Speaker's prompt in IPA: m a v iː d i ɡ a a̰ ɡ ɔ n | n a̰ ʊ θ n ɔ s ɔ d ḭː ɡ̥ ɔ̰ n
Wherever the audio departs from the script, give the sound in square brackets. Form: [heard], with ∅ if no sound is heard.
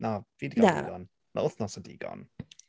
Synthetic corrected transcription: [n] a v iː d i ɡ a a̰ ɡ ɔ n | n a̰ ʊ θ n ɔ s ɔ d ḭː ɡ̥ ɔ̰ n